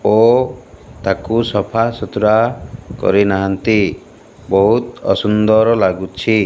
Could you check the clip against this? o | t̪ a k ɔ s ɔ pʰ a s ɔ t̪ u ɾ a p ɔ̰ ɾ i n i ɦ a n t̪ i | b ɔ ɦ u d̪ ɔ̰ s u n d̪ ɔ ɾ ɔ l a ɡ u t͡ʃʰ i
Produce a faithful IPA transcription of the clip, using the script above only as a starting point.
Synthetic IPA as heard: o | t̪ a k u s ɔ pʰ a s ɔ t̪ u ɾ a k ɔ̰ ɾ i n a ɦ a n t̪ i | b ɔ ɦ u t̪ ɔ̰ s u n d̪ ɔ ɾ ɔ l a ɡ u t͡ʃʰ i